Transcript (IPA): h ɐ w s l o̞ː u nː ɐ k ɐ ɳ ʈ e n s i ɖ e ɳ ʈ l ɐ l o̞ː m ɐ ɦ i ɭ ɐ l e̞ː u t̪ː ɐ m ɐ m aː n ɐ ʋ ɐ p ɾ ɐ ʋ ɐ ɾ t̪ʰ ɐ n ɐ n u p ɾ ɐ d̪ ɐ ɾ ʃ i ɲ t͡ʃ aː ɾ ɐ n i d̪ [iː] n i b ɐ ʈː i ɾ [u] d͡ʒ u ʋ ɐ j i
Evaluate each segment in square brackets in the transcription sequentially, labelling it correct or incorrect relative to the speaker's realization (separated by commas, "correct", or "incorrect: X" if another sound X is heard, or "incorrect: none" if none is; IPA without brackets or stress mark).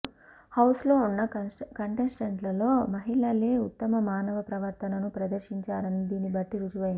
correct, correct